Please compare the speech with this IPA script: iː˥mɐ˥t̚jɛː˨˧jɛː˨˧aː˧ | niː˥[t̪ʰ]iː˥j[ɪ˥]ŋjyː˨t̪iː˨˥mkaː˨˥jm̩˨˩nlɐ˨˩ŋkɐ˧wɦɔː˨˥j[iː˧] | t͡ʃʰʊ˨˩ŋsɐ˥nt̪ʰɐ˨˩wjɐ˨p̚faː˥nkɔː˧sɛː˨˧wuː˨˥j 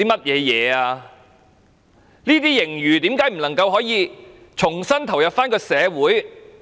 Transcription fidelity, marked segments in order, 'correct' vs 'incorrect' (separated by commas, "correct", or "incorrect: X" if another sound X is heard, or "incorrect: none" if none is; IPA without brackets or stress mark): incorrect: t̪, incorrect: ɪ˨˩, correct